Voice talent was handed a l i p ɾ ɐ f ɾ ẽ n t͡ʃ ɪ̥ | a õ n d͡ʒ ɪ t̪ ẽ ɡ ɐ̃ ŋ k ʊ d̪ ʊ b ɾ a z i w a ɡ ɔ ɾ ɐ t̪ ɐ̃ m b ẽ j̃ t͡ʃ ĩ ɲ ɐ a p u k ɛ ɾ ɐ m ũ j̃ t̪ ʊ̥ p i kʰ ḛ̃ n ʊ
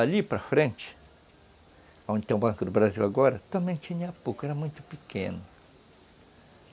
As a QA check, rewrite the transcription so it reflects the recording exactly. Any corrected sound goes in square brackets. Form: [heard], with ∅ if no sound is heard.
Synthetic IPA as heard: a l i p ɾ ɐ f ɾ ẽ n t͡ʃ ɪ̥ | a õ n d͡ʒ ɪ t̪ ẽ [b] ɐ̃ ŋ k ʊ d̪ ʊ b ɾ a z i w a ɡ ɔ ɾ ɐ t̪ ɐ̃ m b ẽ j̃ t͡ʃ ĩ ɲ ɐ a p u k ɛ ɾ ɐ m ũ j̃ t̪ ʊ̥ p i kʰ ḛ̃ n ʊ

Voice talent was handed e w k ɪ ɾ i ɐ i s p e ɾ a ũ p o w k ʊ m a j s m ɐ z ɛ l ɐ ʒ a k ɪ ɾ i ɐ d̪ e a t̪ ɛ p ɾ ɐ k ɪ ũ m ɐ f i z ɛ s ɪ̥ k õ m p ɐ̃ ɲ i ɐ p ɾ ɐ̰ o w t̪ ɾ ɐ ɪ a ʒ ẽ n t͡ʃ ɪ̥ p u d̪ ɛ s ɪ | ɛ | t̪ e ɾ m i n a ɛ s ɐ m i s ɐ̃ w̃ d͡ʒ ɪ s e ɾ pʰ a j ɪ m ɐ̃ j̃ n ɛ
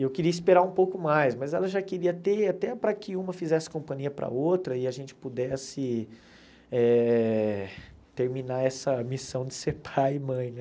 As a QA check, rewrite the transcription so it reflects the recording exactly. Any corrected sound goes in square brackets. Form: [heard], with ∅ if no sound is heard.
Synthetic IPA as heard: e w k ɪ ɾ i ɐ i s p e ɾ a ũ p o w k ʊ m a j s m ɐ z ɛ l ɐ ʒ a k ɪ ɾ i ɐ [t̪] e a t̪ ɛ p ɾ ɐ k ɪ ũ m ɐ f i z ɛ s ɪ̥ k õ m p ɐ̃ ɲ i ɐ p ɾ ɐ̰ o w t̪ ɾ ɐ ɪ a ʒ ẽ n t͡ʃ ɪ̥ p u d̪ ɛ s ɪ | ɛ | t̪ e ɾ m i n a ɛ s ɐ m i s ɐ̃ w̃ d͡ʒ ɪ s e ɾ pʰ a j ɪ m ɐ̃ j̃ n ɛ

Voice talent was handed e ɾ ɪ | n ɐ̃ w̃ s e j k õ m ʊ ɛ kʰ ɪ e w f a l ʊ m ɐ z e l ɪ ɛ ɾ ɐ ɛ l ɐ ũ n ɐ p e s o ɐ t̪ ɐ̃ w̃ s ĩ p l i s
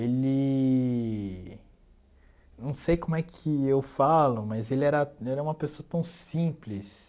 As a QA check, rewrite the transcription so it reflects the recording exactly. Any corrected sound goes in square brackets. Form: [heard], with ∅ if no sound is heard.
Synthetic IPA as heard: e [l] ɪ | n ɐ̃ w̃ s e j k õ m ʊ ɛ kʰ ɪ e w f a l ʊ m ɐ z e l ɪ ɛ ɾ ɐ ɛ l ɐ ũ [m] ɐ p e s o ɐ t̪ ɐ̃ w̃ s ĩ p l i s

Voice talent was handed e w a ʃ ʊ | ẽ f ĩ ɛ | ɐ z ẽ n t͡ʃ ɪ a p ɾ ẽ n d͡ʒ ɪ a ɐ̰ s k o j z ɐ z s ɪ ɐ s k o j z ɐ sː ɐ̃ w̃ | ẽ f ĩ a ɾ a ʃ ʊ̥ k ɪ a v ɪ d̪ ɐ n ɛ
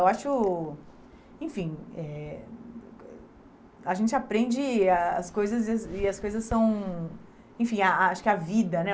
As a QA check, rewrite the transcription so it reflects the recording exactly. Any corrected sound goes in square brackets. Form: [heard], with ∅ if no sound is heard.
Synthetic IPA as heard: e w a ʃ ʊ | ẽ f ĩ ɛ | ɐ [ʒ] ẽ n t͡ʃ ɪ a p ɾ ẽ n d͡ʒ ɪ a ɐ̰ s k o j z ɐ z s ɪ ɐ s k o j z ɐ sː ɐ̃ w̃ | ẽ f ĩ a [∅] a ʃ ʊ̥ k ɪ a v [i] d̪ ɐ n ɛ

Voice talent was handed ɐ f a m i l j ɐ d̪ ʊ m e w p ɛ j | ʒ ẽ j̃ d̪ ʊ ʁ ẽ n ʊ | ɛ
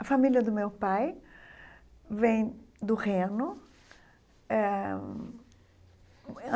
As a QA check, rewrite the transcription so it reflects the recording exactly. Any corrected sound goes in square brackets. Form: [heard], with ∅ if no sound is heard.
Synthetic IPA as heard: ɐ f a m i l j ɐ d̪ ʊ m e w p [a] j | [v] ẽ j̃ d̪ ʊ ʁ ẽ n ʊ | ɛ

